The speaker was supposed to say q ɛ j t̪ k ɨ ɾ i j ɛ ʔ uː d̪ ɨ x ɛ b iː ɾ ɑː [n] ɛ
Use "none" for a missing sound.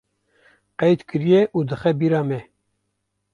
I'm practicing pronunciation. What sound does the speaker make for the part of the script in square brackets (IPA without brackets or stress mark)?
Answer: m